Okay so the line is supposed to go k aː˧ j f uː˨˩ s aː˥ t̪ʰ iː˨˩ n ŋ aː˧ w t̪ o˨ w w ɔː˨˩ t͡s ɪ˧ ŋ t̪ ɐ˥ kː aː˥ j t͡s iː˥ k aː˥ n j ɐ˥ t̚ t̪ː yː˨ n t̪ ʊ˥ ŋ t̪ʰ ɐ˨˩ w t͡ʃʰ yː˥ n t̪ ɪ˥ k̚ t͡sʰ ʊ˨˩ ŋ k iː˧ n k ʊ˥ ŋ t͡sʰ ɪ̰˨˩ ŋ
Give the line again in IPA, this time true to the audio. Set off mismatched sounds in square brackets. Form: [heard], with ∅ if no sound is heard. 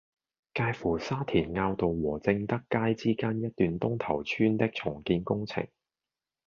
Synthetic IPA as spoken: k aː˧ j f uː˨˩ s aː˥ t̪ʰ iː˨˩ n ŋ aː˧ w t̪ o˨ w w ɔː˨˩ t͡s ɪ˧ ŋ t̪ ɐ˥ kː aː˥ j t͡s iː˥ k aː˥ n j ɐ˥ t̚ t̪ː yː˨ n t̪ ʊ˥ ŋ t̪ʰ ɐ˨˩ w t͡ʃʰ yː˥ n t̪ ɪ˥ k̚ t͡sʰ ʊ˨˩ ŋ k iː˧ n k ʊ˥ ŋ t͡sʰ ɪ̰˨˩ ŋ